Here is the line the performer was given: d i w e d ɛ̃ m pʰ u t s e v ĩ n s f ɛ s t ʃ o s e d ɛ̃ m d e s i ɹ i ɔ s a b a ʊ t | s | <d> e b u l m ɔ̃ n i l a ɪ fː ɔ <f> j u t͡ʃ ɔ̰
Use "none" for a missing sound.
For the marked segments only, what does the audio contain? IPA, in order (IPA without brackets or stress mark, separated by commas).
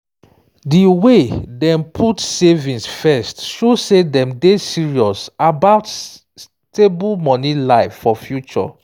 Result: t, f